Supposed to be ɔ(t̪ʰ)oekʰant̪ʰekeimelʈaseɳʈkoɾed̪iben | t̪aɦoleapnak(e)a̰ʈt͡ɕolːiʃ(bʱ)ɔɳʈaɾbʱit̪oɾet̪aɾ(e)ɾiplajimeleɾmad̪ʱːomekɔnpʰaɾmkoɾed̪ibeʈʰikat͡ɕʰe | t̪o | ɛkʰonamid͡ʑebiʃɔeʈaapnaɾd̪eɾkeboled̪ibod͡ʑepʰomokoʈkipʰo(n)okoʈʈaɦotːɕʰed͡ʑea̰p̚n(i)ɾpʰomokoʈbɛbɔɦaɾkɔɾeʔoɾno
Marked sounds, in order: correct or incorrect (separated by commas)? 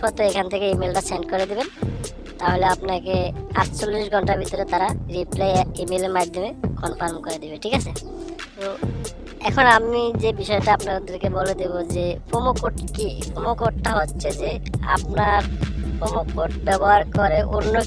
incorrect, correct, incorrect, incorrect, incorrect, incorrect